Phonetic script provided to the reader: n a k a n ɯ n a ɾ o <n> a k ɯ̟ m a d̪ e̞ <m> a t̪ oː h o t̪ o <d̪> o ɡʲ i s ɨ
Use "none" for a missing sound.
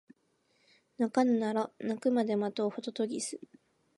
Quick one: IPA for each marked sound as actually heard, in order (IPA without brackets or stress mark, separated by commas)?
n, m, t̪